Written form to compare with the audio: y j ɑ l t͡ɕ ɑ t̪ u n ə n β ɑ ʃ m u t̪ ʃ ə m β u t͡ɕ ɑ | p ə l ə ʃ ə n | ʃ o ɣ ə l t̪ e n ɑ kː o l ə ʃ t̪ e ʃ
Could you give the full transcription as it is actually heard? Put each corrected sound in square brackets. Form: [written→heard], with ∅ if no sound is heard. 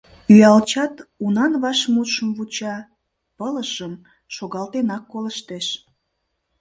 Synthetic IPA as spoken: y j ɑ l t͡ɕ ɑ t̪ u n [ə→ɑ] n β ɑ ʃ m u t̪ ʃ ə m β u t͡ɕ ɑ | p ə l ə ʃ ə [n→m] | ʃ o ɣ [ə→ɑ] l t̪ e n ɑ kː o l ə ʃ t̪ e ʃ